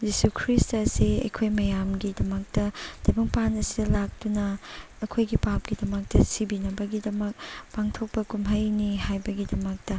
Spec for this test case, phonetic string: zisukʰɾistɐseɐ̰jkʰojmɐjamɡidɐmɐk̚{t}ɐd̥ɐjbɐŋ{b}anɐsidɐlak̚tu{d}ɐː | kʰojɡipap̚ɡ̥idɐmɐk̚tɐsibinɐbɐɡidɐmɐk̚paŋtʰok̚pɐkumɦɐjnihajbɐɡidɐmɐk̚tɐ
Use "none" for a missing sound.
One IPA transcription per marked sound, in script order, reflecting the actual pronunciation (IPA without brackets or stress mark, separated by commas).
t, p, n